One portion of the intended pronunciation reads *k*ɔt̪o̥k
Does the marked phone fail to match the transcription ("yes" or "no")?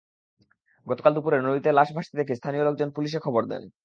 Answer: yes